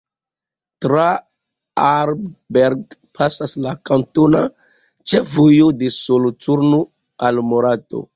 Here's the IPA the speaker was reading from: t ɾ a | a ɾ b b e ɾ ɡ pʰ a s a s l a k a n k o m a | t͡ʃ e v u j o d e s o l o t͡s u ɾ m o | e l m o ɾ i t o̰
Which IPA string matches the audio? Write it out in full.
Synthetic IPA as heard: t ɾ a | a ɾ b b e ɾ ɡ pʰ a s a s l a k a n t o n a | t͡ʃ e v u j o d e s o l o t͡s u ɾ n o | a l m o ɾ a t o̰